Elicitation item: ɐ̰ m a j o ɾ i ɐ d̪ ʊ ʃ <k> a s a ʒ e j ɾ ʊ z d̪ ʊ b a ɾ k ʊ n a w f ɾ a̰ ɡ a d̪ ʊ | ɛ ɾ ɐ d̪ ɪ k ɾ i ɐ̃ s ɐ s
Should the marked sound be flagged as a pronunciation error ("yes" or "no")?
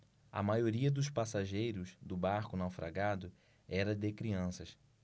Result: yes